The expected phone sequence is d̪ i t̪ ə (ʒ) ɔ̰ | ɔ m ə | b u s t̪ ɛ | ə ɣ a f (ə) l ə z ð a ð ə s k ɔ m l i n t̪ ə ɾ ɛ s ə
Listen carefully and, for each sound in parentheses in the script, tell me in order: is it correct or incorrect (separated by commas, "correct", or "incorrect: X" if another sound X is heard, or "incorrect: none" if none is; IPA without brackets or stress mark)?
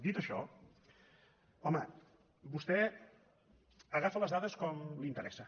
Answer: incorrect: ʃ, correct